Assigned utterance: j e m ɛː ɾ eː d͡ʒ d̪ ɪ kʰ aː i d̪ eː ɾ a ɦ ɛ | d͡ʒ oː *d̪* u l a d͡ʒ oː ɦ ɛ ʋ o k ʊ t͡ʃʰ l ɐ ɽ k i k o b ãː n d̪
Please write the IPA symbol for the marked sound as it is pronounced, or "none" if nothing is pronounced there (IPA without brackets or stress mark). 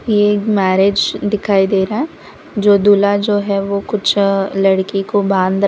d̪